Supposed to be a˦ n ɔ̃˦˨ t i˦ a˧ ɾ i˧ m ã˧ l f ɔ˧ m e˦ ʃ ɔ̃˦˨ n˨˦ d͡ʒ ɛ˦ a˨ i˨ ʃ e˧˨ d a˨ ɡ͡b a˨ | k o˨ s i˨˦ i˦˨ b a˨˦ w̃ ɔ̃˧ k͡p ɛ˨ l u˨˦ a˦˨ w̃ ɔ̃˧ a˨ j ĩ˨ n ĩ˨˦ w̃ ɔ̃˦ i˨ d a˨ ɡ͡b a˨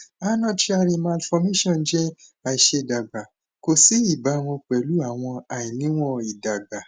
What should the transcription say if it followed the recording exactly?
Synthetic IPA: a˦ n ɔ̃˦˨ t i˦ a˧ ɾ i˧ m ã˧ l f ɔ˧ m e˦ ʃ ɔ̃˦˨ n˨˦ d͡ʒ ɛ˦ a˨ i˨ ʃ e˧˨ d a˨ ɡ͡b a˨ | k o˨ s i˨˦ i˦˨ b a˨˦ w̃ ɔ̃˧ k͡p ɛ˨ l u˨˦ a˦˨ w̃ ɔ̃˧ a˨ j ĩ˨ n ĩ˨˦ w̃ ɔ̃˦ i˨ d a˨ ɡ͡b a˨